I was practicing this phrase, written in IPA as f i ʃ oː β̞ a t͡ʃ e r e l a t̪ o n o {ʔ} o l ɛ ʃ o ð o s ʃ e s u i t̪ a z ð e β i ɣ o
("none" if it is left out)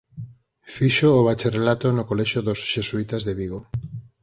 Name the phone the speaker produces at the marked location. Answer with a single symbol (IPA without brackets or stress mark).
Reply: k